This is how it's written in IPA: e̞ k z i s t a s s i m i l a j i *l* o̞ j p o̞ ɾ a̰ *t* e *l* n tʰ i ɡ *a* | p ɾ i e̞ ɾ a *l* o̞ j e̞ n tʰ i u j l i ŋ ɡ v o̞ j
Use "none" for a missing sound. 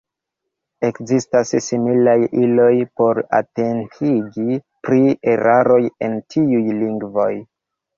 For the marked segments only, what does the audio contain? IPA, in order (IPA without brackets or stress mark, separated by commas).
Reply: l, t, none, i, ɾ